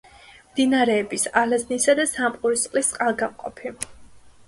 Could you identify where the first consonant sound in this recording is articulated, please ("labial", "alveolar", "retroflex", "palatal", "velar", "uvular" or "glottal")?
labial